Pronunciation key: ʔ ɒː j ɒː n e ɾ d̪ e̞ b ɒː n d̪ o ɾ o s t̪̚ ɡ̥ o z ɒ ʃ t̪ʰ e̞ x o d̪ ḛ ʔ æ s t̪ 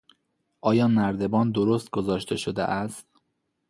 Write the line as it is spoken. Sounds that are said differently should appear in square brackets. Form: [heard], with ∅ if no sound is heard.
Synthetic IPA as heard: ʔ ɒː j ɒː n [æ] ɾ d̪ e̞ b ɒː n d̪ o ɾ o s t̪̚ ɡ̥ o z [ɒː] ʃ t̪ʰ e̞ [ʃ] o d̪ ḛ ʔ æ s t̪